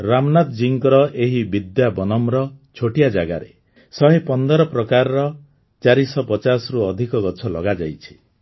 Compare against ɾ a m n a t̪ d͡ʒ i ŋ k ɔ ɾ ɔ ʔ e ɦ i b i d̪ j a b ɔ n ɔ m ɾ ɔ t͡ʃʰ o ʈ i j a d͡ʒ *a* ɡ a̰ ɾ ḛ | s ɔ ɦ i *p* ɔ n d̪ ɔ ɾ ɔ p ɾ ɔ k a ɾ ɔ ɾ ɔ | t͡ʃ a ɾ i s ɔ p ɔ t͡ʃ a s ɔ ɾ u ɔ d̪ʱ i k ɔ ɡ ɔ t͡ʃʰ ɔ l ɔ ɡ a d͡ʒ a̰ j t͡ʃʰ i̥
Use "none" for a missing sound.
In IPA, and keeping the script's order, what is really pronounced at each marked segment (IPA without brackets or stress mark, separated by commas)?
a, p